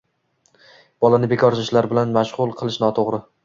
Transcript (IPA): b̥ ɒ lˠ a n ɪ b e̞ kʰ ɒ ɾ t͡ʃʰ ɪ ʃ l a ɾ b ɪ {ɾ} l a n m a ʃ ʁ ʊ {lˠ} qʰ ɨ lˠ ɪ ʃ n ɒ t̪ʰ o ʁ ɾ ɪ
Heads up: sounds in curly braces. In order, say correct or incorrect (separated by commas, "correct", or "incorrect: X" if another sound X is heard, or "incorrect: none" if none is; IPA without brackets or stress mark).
incorrect: none, correct